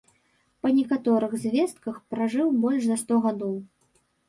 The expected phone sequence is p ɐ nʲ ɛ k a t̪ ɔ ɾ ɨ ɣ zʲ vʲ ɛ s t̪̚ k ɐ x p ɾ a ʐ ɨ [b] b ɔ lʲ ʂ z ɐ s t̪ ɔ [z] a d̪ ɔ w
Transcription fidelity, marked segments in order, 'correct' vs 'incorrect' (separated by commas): incorrect, incorrect